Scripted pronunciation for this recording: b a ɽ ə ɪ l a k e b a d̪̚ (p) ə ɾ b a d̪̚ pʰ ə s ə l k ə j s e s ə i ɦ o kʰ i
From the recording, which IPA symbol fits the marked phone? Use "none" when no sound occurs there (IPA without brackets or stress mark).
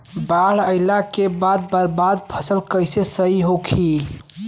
b